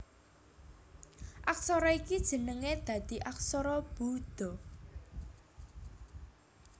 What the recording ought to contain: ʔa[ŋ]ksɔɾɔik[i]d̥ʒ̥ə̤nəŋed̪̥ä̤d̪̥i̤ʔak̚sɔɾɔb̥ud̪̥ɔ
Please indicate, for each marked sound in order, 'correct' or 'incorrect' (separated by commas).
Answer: incorrect, correct